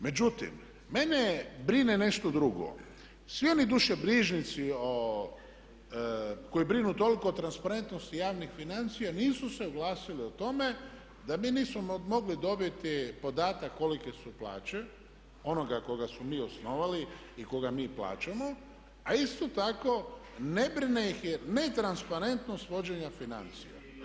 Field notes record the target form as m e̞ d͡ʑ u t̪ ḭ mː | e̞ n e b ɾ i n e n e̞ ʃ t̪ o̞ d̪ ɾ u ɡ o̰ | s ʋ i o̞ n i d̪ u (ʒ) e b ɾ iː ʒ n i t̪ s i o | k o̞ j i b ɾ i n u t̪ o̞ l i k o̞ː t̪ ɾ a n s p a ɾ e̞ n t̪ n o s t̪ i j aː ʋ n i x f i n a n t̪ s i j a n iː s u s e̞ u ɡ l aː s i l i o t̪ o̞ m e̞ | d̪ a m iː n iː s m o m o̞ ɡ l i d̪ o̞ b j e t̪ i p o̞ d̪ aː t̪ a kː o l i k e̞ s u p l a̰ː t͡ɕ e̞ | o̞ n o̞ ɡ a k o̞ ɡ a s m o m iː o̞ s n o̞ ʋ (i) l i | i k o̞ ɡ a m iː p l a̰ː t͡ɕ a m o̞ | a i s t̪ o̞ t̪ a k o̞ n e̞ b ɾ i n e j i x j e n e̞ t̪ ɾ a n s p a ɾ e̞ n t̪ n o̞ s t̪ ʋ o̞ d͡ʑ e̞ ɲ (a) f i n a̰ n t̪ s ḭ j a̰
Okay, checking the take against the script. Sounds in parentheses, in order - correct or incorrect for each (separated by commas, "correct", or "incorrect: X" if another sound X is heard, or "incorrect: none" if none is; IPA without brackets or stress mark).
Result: incorrect: ʃ, incorrect: a, correct